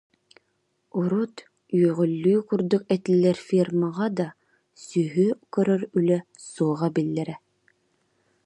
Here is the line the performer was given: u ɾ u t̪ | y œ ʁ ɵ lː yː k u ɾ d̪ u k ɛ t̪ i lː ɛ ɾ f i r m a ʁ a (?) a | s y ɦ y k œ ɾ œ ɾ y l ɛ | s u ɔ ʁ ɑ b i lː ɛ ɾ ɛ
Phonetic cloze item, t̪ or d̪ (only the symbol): d̪